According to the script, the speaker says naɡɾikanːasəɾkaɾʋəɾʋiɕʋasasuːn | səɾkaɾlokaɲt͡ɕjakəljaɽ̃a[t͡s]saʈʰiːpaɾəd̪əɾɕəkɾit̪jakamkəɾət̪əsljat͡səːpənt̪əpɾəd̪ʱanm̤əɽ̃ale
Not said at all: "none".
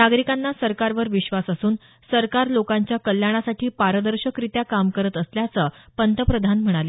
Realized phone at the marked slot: none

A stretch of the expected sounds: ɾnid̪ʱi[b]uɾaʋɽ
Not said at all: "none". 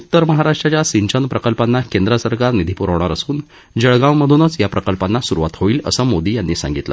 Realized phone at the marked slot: p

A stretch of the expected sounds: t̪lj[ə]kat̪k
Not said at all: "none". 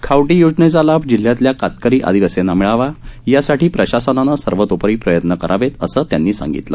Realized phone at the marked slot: a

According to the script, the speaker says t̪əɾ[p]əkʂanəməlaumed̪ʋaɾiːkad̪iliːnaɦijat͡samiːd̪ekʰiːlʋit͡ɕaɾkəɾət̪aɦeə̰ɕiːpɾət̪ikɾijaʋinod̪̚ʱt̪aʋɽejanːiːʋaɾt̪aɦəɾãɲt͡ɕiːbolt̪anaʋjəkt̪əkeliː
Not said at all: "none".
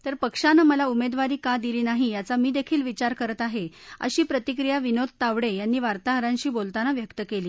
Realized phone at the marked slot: p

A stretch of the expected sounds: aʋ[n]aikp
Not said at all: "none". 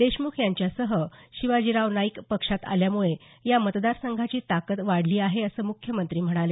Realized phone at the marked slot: n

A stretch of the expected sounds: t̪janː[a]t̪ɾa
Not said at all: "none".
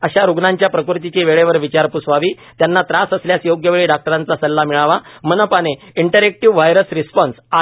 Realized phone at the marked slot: a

